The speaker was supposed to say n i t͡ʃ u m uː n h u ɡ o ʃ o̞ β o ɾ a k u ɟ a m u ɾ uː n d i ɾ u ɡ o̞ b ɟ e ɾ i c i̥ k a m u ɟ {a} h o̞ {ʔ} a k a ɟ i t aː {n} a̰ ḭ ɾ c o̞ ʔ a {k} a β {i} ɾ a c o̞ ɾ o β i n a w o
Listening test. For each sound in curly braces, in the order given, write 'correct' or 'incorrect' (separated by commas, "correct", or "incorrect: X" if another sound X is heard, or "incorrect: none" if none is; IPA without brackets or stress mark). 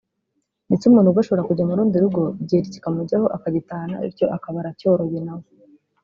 correct, correct, correct, correct, incorrect: a